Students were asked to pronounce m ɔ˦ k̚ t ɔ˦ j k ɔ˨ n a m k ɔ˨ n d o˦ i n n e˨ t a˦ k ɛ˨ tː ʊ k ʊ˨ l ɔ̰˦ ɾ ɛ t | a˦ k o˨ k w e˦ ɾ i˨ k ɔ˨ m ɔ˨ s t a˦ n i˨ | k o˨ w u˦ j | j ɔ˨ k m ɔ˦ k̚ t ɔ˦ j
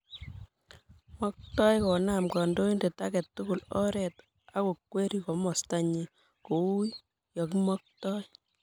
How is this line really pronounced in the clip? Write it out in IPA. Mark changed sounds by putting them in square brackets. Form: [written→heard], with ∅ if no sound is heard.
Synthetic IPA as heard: m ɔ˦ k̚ t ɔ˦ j k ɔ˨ n a m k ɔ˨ n d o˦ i n [n→d] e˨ t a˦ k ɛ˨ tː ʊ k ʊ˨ l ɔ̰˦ ɾ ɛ t | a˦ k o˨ k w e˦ ɾ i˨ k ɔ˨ m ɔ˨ s t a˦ [n→ɲ] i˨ | k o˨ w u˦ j | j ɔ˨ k m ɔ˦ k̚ t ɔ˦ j